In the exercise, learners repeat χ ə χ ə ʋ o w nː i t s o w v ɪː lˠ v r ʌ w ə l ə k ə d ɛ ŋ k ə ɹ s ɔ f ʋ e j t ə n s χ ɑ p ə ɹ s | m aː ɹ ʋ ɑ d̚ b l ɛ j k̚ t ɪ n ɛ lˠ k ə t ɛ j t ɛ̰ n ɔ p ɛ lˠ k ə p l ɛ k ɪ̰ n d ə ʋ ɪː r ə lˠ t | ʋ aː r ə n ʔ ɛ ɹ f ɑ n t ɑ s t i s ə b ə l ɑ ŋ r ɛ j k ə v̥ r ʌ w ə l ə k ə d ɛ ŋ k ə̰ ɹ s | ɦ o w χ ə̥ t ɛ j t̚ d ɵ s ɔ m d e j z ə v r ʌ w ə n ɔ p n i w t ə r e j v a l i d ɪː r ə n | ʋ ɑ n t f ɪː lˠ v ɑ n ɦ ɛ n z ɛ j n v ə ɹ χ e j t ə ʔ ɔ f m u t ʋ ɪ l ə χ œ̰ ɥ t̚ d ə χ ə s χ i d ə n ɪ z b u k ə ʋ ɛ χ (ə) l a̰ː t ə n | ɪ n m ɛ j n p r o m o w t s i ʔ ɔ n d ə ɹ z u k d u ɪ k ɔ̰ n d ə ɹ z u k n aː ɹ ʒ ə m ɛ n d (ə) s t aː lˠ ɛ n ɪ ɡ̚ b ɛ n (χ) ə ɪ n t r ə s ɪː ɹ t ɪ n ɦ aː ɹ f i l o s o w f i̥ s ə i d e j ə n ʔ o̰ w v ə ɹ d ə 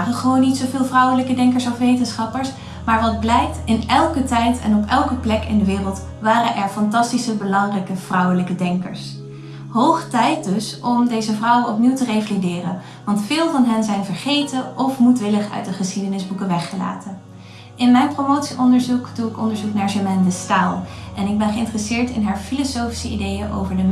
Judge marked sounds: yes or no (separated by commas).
yes, yes, yes